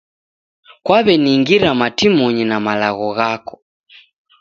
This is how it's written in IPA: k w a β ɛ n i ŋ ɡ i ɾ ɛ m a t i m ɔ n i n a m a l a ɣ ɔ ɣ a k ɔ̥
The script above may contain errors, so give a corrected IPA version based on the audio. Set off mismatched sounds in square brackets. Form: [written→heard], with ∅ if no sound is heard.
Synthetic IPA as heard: k w a β ɛ n i ŋ ɡ i ɾ [ɛ→a] m a t i m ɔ [n→ɲ] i n a m a l a ɣ ɔ ɣ a k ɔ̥